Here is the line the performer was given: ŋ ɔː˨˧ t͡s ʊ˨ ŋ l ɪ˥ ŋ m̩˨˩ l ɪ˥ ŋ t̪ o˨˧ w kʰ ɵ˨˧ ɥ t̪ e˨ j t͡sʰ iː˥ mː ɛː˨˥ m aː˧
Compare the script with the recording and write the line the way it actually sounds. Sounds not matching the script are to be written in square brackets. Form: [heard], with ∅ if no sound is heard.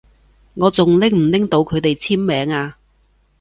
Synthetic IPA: ŋ ɔː˨˧ t͡s ʊ˨ ŋ l ɪ˥ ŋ m̩˨˩ l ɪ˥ ŋ t̪ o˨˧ w kʰ ɵ˨˧ ɥ t̪ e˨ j t͡sʰ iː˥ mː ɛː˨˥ [ŋ] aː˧